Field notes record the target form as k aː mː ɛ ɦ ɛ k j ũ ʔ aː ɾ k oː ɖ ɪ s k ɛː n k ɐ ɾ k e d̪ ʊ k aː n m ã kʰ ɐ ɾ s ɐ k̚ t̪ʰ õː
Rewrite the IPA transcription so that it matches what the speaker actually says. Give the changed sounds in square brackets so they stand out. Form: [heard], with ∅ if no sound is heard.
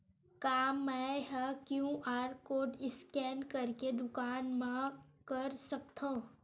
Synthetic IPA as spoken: k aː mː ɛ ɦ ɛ k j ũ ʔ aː ɾ k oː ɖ ɪ s k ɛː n k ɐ ɾ k e d̪ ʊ k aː n m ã [k] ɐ ɾ s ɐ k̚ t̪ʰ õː